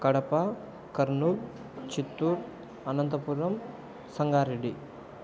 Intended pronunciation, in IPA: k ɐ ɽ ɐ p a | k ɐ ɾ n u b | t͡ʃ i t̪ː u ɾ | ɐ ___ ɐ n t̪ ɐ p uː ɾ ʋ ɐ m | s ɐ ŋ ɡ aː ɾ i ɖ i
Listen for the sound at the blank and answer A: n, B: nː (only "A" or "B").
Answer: A